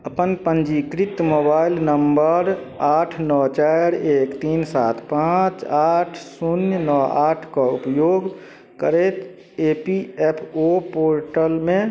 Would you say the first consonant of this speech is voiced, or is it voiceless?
voiceless